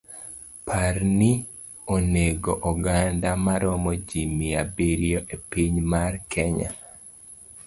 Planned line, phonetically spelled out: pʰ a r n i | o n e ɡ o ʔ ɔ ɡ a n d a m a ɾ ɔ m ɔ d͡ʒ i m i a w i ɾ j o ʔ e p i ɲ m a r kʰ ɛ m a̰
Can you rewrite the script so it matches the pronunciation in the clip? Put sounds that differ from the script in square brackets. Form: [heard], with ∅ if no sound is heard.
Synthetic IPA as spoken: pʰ a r n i | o n e ɡ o ʔ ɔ ɡ a n d a m a ɾ ɔ m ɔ d͡ʒ i m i a [b] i ɾ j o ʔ e p i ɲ m a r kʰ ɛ [ɲ] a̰